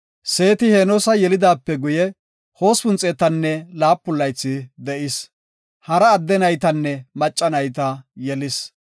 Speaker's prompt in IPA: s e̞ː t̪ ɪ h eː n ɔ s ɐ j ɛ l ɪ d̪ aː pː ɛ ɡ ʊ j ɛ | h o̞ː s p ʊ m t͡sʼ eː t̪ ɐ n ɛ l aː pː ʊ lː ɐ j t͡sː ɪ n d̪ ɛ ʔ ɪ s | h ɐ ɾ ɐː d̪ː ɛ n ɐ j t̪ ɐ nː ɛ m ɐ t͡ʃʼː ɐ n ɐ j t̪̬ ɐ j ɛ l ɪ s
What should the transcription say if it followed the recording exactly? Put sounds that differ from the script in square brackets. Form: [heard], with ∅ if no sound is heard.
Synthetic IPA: s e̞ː t̪ ɪ h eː n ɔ s ɐ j ɛ l ɪ d̪ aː pː ɛ ɡ ʊ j ɛ | h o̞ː s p ʊ [n] t͡sʼ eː t̪ ɐ [nː] ɛ l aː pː ʊ lː ɐ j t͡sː ɪ [∅] d̪ ɛ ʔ ɪ s | h ɐ ɾ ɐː d̪ː ɛ n ɐ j t̪ ɐ nː ɛ m ɐ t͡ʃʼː ɐ n ɐ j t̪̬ ɐ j ɛ l ɪ s

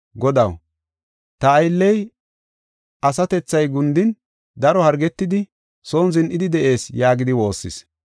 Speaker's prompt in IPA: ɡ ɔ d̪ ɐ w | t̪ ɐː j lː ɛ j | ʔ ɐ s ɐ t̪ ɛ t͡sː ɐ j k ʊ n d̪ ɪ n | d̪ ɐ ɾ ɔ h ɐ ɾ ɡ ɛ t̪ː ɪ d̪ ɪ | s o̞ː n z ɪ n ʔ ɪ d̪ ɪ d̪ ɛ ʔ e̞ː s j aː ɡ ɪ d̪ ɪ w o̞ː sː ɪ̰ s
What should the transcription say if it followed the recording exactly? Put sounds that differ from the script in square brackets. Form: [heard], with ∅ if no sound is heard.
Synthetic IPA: ɡ ɔ d̪ ɐ w | t̪ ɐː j lː ɛ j | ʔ ɐ s ɐ t̪ ɛ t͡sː ɐ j [ɡ] ʊ n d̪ ɪ n | d̪ ɐ ɾ ɔ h ɐ ɾ ɡ ɛ t̪ː ɪ d̪ ɪ | s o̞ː n z ɪ n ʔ ɪ d̪ ɪ d̪ ɛ ʔ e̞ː s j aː ɡ ɪ d̪ ɪ w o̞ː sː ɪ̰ s

